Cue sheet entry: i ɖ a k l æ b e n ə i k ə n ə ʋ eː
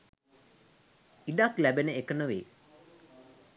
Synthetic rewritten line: i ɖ a k l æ b e n ə e k ə n ə ʋ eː

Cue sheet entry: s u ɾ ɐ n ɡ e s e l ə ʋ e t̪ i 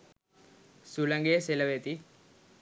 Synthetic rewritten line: s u l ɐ ŋ ɡ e s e l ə ʋ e t̪ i

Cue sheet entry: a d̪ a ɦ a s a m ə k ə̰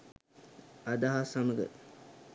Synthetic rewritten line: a d̪ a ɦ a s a m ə ɡ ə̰

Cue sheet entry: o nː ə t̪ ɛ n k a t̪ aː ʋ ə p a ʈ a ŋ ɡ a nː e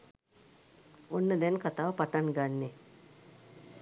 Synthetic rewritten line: o nː ə d̪ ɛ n k a t̪ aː ʋ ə p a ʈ a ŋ ɡ a nː e

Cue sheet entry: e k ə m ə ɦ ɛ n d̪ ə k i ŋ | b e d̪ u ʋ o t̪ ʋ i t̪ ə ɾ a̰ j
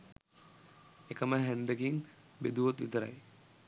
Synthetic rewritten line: e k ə m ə ɦ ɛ n d̪ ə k i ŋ | b e d̪ u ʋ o t̪ ʋ i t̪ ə ɾ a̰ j

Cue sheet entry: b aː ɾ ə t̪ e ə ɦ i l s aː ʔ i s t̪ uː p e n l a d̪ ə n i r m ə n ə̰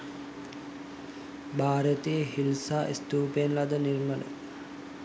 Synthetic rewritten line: b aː ɾ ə t̪ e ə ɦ i l s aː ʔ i s t̪ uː p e n l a d̪ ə n i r m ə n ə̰

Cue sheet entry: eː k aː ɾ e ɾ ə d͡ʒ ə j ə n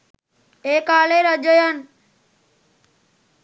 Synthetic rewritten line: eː k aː l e ɾ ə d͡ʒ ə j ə n

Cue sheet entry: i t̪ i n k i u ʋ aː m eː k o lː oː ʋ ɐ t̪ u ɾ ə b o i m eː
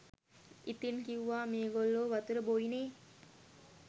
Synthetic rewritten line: i t̪ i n k i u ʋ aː m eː ɡ o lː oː ʋ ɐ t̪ u ɾ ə b o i n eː

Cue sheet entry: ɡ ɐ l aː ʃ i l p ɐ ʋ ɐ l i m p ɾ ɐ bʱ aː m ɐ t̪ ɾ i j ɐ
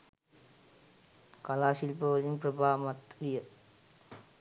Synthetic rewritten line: k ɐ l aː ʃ i l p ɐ ʋ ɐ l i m p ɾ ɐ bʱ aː m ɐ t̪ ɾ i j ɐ

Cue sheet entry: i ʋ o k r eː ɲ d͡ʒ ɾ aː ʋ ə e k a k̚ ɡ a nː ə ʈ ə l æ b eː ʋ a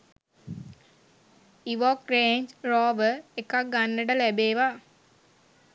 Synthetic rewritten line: i ʋ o k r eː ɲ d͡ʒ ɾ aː ʋ ə e k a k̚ ɡ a nː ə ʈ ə l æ b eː ʋ a

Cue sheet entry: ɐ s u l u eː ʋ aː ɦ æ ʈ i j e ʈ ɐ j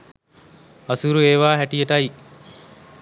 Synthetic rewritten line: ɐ s u ɾ u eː ʋ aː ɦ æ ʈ i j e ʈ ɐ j

